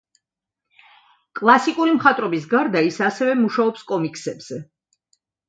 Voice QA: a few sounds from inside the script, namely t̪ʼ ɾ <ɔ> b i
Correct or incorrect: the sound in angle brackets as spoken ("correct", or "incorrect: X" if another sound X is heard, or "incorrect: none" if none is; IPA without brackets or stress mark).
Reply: correct